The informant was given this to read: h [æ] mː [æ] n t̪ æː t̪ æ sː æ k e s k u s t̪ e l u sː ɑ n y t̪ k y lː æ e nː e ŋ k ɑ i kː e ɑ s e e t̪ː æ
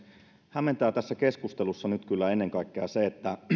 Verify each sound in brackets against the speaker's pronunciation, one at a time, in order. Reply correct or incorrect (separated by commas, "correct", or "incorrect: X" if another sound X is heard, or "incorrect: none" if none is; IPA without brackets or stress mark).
correct, incorrect: e